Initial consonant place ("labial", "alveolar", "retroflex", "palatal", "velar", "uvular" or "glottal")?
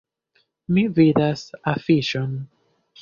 labial